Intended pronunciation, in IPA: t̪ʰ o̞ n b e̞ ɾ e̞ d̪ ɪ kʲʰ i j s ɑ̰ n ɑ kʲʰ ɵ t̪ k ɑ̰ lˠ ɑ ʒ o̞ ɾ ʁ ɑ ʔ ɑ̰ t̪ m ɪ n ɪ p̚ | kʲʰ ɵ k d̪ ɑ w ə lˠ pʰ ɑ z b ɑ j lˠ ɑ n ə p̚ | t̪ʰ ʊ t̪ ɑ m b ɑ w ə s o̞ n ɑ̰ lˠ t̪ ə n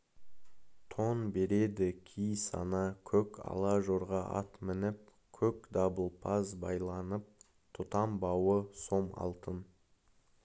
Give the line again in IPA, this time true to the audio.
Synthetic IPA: t̪ʰ o̞ n b e̞ ɾ e̞ d̪ ɪ kʲʰ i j s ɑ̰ n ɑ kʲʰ ɵ k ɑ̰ lˠ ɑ ʒ o̞ ɾ ʁ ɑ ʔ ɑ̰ t̪ m ɪ n ɪ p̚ | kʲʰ ɵ k d̪ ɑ b ə lˠ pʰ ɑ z b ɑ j lˠ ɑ n ə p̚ | t̪ʰ ʊ t̪ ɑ m b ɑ w ə s o̞ m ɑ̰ lˠ t̪ ə n

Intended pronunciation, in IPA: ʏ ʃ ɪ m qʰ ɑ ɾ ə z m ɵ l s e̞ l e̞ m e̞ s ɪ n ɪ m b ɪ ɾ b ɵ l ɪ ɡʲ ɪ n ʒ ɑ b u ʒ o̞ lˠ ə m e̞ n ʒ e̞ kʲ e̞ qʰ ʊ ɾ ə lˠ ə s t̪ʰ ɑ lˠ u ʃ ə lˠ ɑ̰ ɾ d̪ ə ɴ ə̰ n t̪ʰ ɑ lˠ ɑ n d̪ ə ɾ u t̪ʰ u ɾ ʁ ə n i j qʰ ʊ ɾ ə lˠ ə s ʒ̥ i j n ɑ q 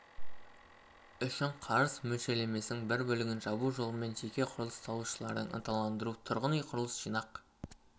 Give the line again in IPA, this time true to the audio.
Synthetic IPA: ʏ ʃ ɪ ɴ qʰ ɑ ɾ ə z m ɵ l ʃ e̞ l e̞ m e̞ s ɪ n ɪ ŋ b ɪ ɾ b ɵ l ɪ ɡʲ ɪ n ʒ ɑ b u ʒ o̞ lˠ ə m e̞ n ʒ e̞ kʲ e̞ qʰ ʊ ɾ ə lˠ ə s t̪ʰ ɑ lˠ u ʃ ə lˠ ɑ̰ ɾ d̪ ə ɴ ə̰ n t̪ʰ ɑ lˠ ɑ n d̪ ə ɾ u t̪ʰ ʊ ɾ ʁ ə n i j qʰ ʊ ɾ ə lˠ ə s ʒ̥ i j n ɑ q

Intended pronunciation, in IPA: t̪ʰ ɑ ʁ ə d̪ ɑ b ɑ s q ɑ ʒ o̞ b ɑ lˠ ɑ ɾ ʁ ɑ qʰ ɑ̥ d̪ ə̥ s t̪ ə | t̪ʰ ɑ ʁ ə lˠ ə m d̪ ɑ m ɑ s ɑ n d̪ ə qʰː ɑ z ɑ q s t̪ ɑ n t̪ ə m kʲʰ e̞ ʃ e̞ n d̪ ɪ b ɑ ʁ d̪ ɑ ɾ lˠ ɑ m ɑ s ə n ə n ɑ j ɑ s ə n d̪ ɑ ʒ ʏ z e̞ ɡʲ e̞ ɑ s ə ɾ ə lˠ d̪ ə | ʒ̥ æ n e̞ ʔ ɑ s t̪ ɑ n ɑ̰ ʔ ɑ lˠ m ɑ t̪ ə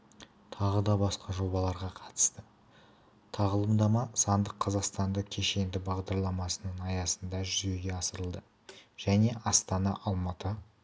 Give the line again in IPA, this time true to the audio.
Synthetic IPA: t̪ʰ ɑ ʁ ə d̪ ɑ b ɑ s q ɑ ʒ o̞ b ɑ lˠ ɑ ɾ ʁ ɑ qʰ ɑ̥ t̪ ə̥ s t̪ ə | t̪ʰ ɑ ʁ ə lˠ ə m d̪ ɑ m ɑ s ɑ n d̪ ə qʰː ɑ z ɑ q s t̪ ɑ n d̪ ə kʲʰ e̞ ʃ e̞ n d̪ ɪ b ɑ ʁ d̪ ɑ ɾ lˠ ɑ m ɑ s ə n ə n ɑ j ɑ s ə n d̪ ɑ ʒ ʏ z e̞ ɡʲ e̞ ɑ s ə ɾ ə lˠ d̪ ə | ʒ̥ æ n e̞ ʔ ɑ s t̪ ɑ n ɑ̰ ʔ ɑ lˠ m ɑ t̪ ə

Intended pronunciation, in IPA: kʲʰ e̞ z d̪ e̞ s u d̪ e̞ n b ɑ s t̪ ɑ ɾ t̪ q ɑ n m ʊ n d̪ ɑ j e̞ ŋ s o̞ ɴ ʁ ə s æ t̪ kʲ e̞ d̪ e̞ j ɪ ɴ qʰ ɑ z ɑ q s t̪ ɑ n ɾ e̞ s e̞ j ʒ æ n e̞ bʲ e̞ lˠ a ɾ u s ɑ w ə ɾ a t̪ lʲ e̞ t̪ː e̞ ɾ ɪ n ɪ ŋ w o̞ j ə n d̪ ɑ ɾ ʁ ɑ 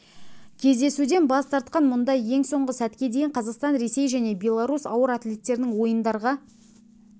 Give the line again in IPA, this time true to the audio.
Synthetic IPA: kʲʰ e̞ z d̪ e̞ s u d̪ e̞ n b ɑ s t̪ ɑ ɾ t̪ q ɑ n m ʊ n d̪ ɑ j e̞ ŋ s o̞ ɴ ʁ ə s æ t̪ kʲ e̞ d̪ e̞ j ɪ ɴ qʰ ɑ z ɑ q s t̪ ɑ n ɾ e̞ s e̞ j ʒ æ n e̞ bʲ e̞ lˠ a ɾ u s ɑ w ə ɾ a t̪ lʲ e̞ t̪ː e̞ ɾ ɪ n ɪ ŋ w o̞ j ə n d̪ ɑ ɾ ʁ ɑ

